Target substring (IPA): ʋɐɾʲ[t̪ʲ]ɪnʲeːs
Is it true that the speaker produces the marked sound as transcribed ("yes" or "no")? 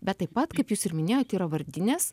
no